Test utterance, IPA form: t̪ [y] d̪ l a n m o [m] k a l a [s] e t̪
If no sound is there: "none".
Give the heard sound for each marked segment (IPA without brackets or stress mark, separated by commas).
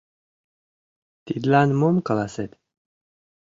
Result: i, m, s